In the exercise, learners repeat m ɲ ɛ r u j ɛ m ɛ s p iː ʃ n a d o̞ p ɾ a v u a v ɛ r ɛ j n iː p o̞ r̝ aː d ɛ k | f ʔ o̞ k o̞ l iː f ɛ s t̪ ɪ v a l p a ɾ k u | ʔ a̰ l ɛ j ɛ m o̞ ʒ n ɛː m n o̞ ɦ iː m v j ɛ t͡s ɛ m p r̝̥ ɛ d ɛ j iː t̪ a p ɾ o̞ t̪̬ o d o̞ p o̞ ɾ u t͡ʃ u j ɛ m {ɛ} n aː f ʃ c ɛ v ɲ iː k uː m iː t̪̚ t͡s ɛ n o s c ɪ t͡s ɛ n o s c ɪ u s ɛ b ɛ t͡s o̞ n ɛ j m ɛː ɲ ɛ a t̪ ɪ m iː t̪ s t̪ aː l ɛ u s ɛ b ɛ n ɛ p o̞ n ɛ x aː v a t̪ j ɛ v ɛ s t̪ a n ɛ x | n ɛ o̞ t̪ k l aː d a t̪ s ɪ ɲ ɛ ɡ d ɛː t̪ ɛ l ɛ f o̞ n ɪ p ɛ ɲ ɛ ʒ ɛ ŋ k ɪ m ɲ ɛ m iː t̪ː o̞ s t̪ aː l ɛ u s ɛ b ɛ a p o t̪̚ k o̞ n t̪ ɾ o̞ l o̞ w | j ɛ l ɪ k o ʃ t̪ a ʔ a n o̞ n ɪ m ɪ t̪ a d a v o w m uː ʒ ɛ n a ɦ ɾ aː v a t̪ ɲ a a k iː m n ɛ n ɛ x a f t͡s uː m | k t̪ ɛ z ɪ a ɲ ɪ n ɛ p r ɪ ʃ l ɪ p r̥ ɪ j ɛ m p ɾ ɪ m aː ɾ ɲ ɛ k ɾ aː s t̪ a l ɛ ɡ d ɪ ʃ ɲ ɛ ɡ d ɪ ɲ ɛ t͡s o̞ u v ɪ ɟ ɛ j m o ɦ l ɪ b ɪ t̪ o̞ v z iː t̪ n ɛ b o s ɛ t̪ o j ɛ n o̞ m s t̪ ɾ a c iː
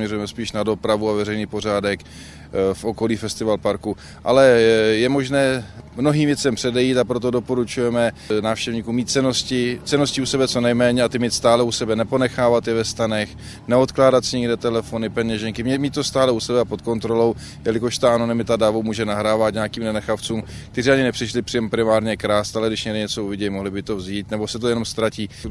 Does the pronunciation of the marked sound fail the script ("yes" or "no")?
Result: no